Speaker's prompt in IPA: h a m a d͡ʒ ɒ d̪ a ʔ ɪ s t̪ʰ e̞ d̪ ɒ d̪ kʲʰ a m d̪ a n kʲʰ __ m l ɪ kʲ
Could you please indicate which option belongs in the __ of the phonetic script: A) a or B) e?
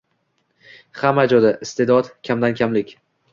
A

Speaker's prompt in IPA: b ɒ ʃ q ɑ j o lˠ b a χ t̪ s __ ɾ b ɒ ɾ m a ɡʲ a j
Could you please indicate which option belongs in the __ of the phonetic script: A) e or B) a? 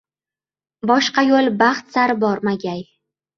B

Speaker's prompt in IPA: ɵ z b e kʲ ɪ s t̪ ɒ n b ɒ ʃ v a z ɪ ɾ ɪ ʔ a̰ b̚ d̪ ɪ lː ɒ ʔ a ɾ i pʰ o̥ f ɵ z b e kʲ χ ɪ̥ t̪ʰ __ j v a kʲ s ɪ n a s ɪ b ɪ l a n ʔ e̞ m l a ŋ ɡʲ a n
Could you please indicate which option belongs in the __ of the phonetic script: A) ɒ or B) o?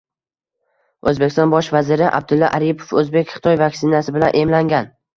A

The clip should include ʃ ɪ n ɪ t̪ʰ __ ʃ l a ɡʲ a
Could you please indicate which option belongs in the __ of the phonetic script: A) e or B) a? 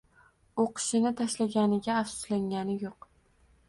B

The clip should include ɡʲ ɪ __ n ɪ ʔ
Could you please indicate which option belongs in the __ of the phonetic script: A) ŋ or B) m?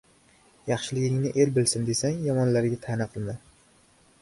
A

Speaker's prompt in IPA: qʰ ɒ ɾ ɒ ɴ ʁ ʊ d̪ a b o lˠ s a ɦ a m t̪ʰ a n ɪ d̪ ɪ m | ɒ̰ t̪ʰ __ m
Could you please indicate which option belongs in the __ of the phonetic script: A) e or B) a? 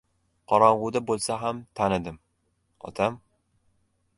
B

